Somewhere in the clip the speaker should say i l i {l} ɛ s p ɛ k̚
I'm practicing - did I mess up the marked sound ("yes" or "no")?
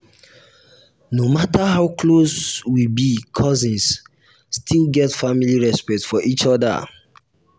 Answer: yes